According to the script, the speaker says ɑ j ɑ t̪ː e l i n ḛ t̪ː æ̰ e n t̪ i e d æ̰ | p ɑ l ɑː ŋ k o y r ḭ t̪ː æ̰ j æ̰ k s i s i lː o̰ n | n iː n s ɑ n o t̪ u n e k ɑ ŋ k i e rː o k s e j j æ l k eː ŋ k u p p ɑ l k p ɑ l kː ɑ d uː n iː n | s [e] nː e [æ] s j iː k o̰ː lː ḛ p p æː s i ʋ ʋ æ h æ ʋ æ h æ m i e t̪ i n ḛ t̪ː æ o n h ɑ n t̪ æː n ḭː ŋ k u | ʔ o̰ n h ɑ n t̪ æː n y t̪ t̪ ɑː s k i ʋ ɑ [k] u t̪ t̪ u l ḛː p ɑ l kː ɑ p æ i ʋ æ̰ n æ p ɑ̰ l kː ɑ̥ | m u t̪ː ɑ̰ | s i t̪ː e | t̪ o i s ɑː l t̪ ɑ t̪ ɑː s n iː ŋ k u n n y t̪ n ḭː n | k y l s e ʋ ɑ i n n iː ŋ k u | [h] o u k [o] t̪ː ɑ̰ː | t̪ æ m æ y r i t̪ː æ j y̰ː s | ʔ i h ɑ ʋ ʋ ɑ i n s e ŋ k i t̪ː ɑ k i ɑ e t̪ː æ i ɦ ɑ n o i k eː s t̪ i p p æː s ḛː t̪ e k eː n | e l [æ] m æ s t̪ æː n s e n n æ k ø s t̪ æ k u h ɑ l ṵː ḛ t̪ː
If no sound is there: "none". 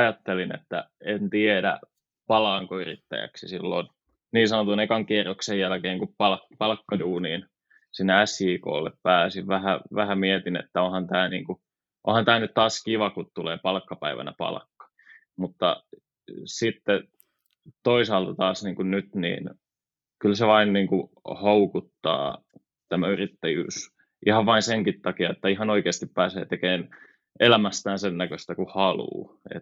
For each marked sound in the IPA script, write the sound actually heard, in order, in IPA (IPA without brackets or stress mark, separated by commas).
i, æ, k, h, u, æ